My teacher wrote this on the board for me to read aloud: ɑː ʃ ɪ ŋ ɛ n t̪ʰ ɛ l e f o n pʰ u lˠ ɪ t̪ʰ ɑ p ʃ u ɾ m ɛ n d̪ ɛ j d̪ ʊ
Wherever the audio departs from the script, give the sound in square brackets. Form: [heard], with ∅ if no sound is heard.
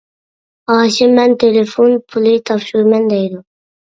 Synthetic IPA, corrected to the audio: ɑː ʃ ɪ [m] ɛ n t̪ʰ [e] l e f o n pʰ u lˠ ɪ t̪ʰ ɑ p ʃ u ɾ m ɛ n d̪ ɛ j d̪ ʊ